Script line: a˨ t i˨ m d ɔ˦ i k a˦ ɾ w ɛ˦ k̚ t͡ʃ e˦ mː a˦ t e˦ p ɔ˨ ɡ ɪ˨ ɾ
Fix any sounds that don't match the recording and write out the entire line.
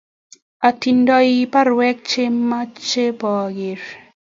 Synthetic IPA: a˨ t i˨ n d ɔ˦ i p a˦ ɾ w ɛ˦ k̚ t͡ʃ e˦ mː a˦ t͡ʃ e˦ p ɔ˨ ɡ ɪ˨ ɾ